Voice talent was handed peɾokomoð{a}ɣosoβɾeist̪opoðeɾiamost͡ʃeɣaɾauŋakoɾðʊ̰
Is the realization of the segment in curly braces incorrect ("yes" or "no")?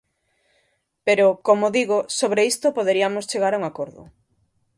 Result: yes